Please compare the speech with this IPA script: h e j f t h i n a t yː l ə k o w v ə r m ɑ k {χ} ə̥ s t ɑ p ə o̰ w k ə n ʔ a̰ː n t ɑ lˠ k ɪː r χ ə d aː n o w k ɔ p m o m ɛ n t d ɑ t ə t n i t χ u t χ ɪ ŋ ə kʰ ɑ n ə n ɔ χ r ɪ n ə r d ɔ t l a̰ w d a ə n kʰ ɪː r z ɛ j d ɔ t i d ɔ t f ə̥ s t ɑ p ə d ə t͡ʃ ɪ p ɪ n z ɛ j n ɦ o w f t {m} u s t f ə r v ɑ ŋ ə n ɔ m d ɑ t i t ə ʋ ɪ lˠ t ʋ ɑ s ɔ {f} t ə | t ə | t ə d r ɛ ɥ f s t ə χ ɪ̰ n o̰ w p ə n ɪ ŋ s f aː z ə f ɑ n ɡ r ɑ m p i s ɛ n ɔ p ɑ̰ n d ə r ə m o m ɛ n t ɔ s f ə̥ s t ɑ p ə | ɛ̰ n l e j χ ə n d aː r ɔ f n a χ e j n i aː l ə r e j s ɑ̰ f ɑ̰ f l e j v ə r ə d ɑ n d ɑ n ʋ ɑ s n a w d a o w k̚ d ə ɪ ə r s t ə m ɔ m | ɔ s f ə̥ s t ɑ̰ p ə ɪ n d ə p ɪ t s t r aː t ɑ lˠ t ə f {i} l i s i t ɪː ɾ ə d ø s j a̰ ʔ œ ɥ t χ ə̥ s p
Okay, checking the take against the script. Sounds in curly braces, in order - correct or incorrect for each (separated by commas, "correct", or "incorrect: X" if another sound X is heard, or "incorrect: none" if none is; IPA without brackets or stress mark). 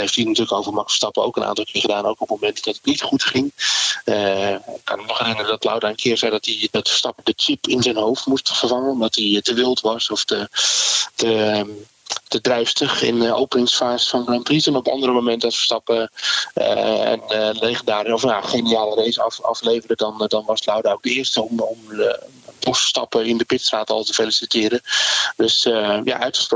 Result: incorrect: f, correct, correct, incorrect: e